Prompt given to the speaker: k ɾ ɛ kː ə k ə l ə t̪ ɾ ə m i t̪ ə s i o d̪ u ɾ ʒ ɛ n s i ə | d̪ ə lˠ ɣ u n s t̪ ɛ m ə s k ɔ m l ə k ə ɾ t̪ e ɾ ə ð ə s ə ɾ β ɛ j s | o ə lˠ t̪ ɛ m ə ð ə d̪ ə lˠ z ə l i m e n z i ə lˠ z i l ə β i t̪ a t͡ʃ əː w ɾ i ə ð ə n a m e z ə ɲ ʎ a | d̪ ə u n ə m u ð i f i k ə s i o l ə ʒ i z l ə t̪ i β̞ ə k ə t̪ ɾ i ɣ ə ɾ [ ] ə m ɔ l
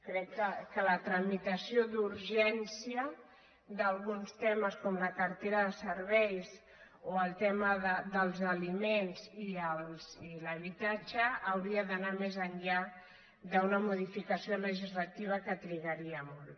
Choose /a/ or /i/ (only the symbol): i